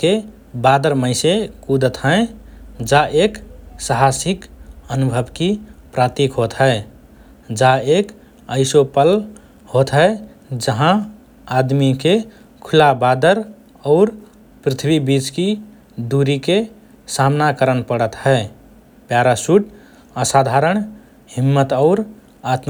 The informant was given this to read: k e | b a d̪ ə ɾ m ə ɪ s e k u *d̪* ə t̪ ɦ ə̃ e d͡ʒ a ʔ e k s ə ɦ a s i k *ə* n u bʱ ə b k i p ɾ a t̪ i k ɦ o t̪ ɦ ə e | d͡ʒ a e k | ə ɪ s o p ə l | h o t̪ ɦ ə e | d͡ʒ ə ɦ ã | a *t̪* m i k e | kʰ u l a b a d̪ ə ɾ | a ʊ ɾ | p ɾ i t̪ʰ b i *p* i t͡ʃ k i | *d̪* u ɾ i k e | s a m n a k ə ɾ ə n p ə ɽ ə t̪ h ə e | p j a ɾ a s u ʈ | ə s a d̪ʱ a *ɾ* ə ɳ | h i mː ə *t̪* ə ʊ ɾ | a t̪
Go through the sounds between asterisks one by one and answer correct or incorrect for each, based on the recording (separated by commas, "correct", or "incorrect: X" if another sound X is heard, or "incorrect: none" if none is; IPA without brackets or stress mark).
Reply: correct, correct, incorrect: d̪, incorrect: b, correct, correct, correct